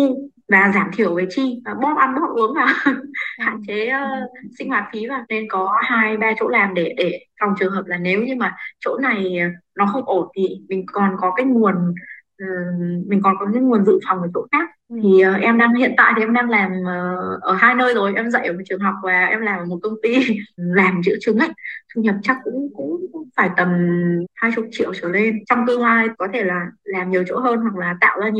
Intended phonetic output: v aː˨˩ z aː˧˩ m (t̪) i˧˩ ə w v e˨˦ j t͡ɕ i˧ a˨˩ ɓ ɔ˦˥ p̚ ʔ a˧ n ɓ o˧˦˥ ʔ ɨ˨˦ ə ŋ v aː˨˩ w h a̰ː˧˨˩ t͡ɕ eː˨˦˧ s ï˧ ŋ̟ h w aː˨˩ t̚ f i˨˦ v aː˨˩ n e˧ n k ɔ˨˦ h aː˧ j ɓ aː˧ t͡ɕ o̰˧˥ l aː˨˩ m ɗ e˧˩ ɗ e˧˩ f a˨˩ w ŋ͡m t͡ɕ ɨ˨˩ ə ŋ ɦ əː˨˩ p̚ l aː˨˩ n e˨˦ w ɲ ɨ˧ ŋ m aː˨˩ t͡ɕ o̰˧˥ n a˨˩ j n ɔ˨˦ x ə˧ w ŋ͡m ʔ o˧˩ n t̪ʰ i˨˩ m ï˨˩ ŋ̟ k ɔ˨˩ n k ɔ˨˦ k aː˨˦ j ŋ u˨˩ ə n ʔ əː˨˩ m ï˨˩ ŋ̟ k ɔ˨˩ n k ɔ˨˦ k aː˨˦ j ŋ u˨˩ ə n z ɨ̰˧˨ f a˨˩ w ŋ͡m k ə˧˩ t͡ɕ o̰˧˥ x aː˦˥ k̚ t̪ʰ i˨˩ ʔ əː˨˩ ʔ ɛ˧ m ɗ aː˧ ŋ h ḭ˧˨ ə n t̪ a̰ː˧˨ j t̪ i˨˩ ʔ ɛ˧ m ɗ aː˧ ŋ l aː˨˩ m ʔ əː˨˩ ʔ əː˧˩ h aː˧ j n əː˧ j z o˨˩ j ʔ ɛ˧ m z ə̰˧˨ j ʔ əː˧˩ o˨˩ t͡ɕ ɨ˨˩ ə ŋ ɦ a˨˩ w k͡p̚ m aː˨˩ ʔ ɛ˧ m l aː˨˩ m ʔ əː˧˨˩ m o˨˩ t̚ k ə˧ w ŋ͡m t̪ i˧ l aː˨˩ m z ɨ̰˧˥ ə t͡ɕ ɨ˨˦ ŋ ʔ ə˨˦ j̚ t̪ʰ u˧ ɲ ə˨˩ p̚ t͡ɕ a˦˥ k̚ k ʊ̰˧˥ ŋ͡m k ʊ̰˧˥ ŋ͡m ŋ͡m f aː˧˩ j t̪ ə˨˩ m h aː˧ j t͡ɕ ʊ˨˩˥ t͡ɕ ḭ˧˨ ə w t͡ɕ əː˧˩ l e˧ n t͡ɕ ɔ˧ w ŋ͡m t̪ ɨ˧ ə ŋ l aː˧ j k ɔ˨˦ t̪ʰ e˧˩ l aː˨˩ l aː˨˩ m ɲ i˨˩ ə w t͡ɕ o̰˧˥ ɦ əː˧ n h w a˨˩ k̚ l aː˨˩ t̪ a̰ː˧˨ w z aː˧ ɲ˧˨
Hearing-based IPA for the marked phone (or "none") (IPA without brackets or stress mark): t̪ʰ